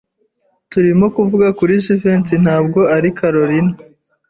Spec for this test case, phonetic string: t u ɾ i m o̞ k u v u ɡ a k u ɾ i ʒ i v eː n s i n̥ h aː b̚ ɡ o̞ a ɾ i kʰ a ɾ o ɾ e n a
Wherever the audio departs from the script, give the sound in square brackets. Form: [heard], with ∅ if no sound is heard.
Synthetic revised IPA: t u ɾ i m o̞ k u v u ɡ a k u ɾ i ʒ i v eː n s i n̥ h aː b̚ ɡ o̞ a ɾ i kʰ a ɾ o ɾ [i] n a